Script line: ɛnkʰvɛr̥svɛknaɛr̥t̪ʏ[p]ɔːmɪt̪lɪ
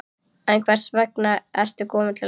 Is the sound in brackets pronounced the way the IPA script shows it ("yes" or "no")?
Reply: no